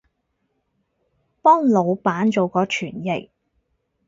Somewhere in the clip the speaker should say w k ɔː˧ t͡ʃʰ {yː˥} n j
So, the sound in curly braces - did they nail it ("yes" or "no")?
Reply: no